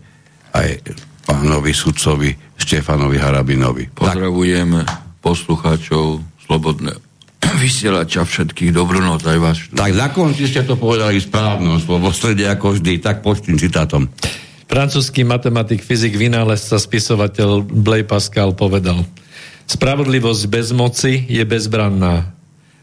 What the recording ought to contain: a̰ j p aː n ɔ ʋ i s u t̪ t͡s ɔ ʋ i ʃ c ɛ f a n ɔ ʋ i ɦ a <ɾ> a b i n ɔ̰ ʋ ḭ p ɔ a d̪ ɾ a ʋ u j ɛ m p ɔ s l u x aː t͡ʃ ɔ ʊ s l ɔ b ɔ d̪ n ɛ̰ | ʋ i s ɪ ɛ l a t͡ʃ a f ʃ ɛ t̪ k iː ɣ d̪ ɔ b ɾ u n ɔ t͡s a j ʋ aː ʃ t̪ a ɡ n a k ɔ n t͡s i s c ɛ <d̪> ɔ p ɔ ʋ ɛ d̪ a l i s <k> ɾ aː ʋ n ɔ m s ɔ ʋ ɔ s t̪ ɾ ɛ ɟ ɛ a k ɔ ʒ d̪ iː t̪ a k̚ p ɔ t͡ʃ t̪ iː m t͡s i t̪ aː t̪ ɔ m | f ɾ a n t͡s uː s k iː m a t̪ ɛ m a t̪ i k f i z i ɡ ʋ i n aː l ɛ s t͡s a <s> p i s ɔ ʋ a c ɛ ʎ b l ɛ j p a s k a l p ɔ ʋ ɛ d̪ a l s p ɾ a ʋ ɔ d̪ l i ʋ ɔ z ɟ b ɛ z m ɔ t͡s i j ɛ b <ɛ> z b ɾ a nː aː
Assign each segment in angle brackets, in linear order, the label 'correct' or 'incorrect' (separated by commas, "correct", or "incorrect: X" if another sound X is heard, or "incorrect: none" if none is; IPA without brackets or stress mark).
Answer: correct, incorrect: t̪, incorrect: p, correct, correct